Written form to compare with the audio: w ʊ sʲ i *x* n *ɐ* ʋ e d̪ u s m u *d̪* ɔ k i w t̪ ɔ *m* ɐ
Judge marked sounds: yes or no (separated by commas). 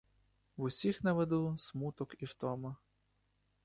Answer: yes, yes, no, yes